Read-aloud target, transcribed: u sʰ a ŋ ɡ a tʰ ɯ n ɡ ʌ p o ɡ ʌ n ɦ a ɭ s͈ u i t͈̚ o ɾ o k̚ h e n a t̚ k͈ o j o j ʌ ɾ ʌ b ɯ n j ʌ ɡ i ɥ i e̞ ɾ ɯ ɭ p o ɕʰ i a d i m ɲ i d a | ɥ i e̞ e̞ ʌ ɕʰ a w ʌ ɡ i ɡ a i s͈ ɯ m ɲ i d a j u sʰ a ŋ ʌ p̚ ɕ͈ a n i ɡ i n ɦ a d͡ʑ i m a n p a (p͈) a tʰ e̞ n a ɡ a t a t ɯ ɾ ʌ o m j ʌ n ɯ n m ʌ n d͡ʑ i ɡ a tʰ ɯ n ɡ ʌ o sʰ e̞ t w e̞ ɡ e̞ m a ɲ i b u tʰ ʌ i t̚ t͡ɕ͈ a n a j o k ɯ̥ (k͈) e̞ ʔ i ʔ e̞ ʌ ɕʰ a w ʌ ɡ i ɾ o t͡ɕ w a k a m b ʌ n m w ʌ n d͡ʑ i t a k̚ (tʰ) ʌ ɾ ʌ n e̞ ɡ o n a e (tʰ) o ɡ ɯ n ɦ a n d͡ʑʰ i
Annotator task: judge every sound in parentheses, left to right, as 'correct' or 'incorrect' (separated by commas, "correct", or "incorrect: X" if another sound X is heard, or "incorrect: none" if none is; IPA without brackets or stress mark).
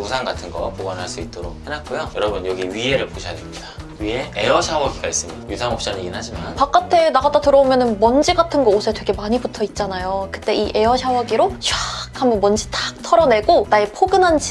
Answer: incorrect: k͈, incorrect: t͈, correct, incorrect: pʰ